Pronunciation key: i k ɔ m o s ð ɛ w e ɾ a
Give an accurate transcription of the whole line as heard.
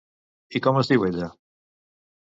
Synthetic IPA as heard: i k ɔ m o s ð i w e ʎ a